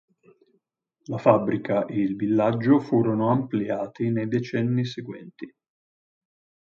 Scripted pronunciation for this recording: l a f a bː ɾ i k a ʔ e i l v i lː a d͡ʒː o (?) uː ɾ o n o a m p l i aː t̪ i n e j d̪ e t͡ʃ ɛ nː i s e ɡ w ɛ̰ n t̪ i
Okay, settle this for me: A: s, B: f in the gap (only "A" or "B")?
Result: B